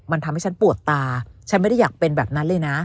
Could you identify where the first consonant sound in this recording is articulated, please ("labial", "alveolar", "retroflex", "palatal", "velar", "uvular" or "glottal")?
labial